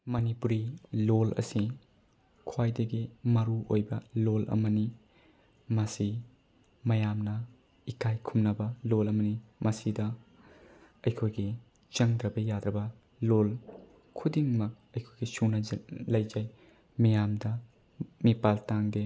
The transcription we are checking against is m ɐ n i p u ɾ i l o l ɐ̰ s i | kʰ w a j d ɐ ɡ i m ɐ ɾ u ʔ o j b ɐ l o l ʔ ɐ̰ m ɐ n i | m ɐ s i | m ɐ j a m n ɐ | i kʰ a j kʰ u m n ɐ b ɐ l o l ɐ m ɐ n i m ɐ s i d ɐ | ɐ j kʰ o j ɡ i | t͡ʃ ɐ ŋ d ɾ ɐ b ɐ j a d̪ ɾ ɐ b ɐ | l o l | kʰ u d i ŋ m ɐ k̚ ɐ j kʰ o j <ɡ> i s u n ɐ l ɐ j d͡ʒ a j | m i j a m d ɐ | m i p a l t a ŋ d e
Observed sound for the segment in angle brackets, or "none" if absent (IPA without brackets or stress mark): ɡ